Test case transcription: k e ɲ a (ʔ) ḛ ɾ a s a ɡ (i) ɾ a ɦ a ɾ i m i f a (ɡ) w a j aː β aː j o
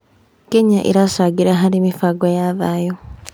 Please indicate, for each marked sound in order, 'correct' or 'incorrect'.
correct, correct, correct

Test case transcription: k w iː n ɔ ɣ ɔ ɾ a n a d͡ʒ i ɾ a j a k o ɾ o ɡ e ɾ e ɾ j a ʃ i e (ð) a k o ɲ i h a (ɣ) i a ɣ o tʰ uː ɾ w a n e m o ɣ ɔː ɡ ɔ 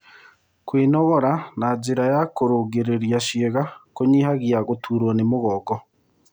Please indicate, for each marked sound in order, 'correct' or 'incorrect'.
incorrect, correct

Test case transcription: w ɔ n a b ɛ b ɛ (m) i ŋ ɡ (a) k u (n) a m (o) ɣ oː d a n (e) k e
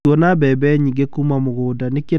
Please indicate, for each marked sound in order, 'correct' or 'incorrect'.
incorrect, incorrect, incorrect, correct, correct

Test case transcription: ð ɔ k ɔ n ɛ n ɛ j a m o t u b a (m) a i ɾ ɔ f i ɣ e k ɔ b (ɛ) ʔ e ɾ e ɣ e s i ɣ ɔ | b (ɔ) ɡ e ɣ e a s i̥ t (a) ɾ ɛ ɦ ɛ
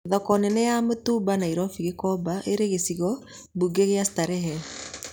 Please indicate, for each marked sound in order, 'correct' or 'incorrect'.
incorrect, incorrect, incorrect, correct

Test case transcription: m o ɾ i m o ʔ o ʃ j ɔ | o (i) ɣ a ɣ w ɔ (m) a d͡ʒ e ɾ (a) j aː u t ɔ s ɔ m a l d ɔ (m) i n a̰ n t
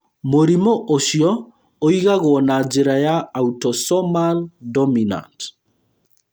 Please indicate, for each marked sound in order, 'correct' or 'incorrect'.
correct, incorrect, correct, correct

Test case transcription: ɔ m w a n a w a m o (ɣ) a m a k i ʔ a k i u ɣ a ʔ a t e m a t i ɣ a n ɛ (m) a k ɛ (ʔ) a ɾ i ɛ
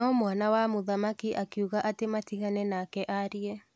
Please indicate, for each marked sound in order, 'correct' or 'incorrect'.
incorrect, incorrect, correct

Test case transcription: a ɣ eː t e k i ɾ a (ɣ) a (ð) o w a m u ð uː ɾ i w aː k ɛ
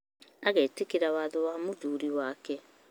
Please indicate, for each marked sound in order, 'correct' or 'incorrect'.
incorrect, correct

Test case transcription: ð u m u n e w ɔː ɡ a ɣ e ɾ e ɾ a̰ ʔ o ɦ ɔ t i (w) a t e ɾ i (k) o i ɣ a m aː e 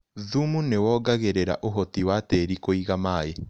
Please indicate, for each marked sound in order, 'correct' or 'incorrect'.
correct, correct

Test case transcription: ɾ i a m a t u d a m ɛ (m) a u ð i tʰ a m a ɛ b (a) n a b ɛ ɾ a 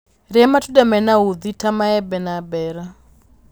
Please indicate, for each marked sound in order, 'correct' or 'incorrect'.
incorrect, incorrect

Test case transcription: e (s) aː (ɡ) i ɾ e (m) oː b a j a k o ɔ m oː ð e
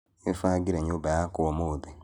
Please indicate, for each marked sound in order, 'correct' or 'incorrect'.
incorrect, correct, incorrect

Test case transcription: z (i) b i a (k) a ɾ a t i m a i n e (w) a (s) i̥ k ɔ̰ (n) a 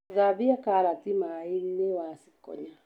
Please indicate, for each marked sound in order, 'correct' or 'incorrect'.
incorrect, correct, correct, correct, incorrect

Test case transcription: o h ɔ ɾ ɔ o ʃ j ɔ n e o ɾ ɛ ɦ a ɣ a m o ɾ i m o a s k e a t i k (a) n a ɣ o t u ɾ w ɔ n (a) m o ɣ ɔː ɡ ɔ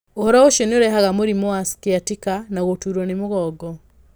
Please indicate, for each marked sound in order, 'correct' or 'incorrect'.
correct, incorrect

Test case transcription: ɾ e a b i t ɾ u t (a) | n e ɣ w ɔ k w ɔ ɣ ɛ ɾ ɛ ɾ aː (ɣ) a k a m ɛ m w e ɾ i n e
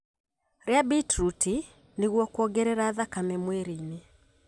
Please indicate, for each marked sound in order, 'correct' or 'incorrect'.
incorrect, incorrect

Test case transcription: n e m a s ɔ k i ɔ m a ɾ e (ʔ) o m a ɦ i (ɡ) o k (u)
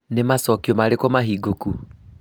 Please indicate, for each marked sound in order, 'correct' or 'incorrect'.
incorrect, correct, correct

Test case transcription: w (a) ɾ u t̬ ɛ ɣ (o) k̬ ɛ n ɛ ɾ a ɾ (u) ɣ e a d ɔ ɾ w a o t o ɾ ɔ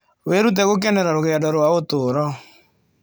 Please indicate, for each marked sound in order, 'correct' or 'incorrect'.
incorrect, correct, incorrect

